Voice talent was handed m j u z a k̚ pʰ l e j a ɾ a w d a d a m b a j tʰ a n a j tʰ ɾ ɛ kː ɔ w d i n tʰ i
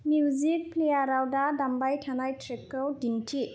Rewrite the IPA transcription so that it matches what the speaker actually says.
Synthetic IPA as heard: m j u z i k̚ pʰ l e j a ɾ a w d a d a m b a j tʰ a n a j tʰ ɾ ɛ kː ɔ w d i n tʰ i